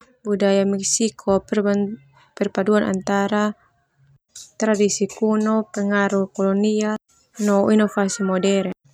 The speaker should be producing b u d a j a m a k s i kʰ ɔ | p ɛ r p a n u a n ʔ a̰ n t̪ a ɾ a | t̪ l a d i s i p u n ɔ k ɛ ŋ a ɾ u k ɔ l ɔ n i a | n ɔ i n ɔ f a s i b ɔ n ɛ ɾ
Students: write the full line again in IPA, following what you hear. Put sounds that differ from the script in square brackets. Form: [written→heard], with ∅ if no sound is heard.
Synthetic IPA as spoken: b u d a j a m [a→ɛ] k s i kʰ ɔ | p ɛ r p a [n→d] u a n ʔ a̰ n t̪ a ɾ a | t̪ [l→ɾ] a d i s i [p→k] u n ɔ [k→p] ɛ ŋ a ɾ u k ɔ l ɔ n i a | n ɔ i n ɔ f a s i [b→m] ɔ [n→d] ɛ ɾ